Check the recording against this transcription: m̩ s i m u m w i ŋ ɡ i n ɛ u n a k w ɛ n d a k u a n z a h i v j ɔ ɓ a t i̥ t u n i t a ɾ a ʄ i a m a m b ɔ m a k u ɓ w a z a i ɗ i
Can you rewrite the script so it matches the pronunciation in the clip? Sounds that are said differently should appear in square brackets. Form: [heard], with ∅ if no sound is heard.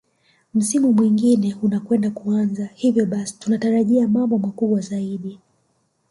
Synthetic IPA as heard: m̩ s i m u m w i ŋ ɡ i n ɛ u n a k w ɛ n d a k u a n z a h i v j ɔ ɓ a [s] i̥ t u n [a] t a ɾ a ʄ i a m a m b ɔ m a k u ɓ w a z a i ɗ i